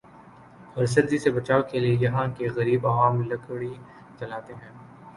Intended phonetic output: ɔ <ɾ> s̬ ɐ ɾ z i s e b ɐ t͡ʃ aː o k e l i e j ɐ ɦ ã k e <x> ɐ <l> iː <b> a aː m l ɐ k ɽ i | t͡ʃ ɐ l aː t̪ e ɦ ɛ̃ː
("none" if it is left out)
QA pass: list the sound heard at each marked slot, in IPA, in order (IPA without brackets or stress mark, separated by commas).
ɾ, ɣ, ɾ, b